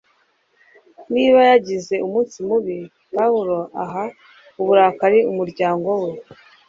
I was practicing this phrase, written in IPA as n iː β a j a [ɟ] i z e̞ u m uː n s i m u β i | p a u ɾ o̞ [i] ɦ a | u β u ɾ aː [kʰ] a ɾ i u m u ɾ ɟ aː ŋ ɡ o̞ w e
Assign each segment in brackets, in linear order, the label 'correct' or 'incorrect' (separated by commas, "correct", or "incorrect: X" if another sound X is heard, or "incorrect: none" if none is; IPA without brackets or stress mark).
correct, incorrect: a, incorrect: k